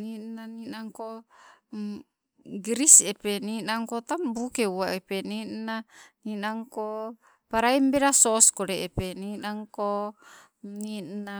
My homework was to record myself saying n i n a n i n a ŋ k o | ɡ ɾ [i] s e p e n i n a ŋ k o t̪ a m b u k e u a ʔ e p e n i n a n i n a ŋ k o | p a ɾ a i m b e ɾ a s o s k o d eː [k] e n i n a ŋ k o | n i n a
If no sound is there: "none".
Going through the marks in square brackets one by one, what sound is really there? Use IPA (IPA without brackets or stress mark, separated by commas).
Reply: i, p